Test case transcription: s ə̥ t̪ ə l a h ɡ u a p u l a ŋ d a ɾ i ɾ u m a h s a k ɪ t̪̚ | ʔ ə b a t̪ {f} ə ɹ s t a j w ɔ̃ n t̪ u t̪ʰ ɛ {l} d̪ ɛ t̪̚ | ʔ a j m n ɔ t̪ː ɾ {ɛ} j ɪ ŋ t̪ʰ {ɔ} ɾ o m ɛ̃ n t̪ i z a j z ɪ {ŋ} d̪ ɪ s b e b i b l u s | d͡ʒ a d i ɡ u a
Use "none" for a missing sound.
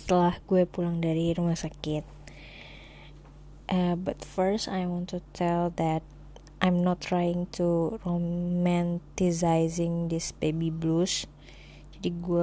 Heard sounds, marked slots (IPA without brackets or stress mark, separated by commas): f, l, a, u, ŋ